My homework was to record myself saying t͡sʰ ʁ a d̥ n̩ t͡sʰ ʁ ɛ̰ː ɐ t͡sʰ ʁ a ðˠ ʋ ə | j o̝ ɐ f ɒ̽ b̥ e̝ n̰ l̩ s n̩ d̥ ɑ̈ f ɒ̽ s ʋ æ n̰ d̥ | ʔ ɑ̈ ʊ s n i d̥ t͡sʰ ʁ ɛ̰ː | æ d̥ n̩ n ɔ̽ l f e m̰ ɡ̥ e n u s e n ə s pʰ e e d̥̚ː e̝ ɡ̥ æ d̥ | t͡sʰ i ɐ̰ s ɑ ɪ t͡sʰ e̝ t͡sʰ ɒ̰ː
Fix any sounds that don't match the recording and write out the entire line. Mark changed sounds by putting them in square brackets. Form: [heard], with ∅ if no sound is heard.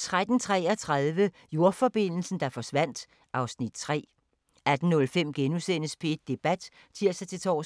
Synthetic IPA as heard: t͡sʰ ʁ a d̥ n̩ t͡sʰ ʁ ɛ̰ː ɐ t͡sʰ ʁ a ðˠ ʋ ə | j o̝ ɐ f ɒ̽ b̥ e̝ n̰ l̩ s n̩ d̥ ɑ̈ f ɒ̽ s ʋ æ n̰ d̥ | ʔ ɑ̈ ʊ s n i d̥ t͡sʰ ʁ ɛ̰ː | æ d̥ n̩ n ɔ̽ l f e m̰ ɡ̥ e n u s e n ə s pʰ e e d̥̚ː e̝ [b̥] æ d̥ | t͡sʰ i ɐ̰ s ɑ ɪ t͡sʰ e̝ t͡sʰ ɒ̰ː